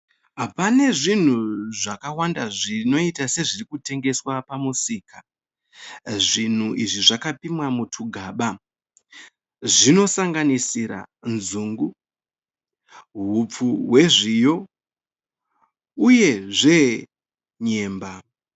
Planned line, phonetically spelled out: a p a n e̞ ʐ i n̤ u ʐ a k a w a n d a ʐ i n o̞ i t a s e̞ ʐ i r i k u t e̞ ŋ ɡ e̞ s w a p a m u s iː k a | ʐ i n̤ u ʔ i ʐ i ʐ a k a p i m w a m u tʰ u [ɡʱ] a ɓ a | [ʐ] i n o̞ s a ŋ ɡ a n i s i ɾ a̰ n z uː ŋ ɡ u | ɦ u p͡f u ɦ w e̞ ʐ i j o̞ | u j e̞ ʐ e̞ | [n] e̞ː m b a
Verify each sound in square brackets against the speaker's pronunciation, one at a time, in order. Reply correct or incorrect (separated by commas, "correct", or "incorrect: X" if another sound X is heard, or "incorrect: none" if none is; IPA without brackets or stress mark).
correct, correct, incorrect: ɲ